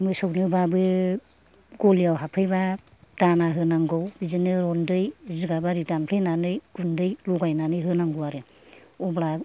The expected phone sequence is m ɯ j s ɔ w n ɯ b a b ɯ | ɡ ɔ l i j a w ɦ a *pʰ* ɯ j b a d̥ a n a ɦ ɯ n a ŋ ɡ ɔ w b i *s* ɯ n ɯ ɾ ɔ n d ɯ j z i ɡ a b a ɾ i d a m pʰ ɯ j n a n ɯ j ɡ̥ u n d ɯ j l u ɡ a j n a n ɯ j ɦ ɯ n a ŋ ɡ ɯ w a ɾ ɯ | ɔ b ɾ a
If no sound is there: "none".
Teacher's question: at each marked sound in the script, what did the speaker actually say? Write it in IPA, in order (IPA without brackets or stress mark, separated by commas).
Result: pʰ, z